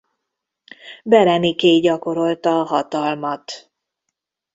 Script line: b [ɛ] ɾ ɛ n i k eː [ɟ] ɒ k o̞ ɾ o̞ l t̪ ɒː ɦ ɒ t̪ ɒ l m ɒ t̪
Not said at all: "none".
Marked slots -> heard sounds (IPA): ɛ, ɟ

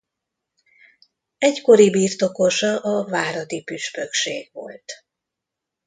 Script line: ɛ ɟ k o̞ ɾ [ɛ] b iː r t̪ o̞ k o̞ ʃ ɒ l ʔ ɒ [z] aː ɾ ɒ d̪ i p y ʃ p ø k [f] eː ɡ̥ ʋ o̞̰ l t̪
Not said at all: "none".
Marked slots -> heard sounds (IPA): i, v, ʃ

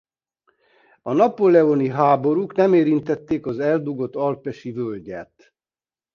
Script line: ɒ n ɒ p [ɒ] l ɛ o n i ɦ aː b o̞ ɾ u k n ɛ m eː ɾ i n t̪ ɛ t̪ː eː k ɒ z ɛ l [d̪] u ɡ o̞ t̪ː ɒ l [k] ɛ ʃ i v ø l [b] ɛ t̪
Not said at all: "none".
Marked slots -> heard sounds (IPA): o, d̪, p, ɟ

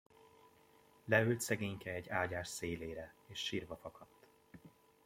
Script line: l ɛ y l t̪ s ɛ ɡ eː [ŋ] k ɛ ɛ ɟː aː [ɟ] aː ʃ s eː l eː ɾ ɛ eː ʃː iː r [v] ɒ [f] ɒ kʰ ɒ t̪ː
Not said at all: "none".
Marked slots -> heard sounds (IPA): ɲ, ɟ, v, f

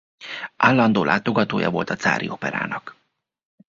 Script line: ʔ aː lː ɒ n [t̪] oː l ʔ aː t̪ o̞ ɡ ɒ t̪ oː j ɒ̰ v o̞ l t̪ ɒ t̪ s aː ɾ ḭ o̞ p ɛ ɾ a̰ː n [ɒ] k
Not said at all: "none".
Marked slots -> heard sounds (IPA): d̪, ɒ

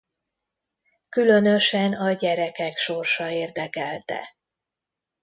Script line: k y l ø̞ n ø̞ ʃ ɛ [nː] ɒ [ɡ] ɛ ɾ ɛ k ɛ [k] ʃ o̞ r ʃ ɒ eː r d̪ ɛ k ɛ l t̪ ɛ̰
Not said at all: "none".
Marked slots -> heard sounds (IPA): n, ɟ, k

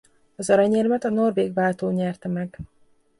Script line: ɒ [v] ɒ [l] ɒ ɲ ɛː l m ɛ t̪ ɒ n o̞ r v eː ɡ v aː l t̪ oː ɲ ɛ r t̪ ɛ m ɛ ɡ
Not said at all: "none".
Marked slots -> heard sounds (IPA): z, ɾ

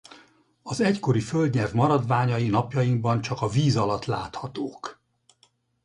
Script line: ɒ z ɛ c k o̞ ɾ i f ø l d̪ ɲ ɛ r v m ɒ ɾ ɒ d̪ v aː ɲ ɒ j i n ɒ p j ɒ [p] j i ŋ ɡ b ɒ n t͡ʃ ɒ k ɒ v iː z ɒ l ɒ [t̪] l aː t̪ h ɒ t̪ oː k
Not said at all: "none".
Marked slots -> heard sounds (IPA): none, t̪

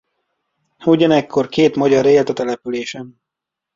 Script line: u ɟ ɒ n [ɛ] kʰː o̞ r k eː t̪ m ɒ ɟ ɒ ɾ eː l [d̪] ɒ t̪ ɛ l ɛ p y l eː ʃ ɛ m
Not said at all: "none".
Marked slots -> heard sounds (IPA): ɛ, t̪

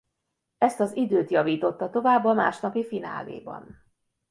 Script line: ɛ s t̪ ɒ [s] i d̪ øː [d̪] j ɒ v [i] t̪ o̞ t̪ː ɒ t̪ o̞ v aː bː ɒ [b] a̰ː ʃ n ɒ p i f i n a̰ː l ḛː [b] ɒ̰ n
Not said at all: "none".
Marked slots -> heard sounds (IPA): z, t̪, iː, m, b

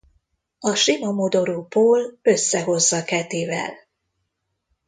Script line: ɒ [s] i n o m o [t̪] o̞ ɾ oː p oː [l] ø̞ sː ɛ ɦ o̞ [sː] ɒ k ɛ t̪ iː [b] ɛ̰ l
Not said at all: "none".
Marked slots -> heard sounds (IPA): ʃ, d̪, l, zː, v

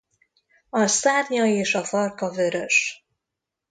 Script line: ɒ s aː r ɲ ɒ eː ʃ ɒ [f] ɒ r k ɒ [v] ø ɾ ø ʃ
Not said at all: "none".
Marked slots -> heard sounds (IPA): f, v

